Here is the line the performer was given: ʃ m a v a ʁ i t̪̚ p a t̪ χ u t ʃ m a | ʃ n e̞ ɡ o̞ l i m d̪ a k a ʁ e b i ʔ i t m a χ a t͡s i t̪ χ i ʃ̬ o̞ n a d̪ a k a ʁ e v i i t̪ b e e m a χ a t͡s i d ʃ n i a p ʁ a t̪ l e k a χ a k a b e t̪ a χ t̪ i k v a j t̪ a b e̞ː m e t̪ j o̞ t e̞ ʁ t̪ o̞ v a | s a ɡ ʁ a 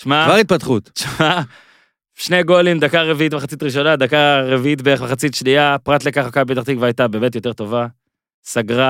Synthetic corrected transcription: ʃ m a v a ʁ i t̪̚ p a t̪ χ u t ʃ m a | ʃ n e̞ ɡ o̞ l i m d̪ a k a ʁ e v i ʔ i t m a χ a t͡s i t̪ ʁ i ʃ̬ o̞ n a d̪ a k a ʁ e v i i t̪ b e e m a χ a t͡s i t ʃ n i a p ʁ a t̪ l e k a χ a k a b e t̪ a χ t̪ i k v a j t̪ a b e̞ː m e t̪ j o̞ t e̞ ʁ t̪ o̞ v a | s a ɡ ʁ a